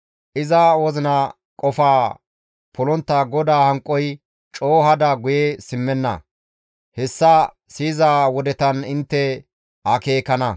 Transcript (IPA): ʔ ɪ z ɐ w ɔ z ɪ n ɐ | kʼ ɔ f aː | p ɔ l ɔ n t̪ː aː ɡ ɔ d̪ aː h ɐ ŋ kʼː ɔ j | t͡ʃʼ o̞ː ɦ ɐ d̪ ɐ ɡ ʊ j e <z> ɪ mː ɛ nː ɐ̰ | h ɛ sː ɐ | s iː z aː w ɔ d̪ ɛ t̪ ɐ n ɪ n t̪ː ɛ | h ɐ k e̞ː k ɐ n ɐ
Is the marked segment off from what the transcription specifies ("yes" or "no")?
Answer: yes